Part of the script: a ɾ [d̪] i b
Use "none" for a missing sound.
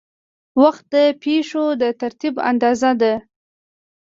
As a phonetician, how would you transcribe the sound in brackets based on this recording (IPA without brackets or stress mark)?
t̪